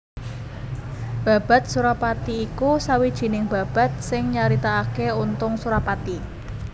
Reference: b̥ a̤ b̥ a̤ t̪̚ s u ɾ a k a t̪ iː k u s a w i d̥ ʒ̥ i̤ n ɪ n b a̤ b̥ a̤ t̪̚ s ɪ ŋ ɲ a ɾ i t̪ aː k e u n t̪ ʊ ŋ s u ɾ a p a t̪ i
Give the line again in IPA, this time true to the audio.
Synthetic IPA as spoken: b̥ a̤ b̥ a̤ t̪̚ s u ɾ a p a t̪ iː k u s a w i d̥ ʒ̥ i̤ n ɪ ŋ b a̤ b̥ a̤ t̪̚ s ɪ ŋ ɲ a ɾ i t̪ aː k e u n t̪ ʊ ŋ s u ɾ a p a t̪ i